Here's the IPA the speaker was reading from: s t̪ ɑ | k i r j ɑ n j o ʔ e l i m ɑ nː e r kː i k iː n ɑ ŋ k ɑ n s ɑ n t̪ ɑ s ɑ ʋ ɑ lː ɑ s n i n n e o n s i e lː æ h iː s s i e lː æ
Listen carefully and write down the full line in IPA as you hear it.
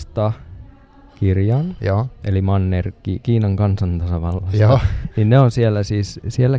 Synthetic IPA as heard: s t̪ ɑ | k i r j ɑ n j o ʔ e l i m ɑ nː e r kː i k iː n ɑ ŋ k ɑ n s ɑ n t̪ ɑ s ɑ ʋ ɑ lː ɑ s n i n n e o n s i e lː æ s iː s s i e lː æ